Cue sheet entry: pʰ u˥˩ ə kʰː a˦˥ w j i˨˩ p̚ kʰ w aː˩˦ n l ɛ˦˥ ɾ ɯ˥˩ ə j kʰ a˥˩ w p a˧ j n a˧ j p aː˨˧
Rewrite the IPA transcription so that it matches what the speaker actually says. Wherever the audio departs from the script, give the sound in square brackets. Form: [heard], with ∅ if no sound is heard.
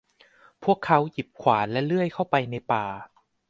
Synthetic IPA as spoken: pʰ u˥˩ ə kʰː a˦˥ w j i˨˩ p̚ kʰ w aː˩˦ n l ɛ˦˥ [l] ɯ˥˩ ə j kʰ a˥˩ w p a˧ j n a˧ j p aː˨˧